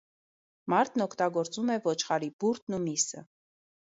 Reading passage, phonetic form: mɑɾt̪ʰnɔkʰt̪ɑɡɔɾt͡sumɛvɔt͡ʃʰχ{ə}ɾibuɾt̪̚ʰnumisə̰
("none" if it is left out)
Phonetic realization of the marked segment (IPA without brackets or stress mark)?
ɑ